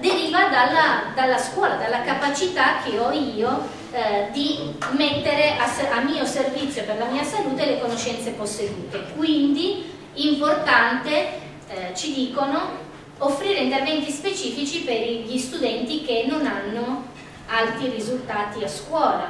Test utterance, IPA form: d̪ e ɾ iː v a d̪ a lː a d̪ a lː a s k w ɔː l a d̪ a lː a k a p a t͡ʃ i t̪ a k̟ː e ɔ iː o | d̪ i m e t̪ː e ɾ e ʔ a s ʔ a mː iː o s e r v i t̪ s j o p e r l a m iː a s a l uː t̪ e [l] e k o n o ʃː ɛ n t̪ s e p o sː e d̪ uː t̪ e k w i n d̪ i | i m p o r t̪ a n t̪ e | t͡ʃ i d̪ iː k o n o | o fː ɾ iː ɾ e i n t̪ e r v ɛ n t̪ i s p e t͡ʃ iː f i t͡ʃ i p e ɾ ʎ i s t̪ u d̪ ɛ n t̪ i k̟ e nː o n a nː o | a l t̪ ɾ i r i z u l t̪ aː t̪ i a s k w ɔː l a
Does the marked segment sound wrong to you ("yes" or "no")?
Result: no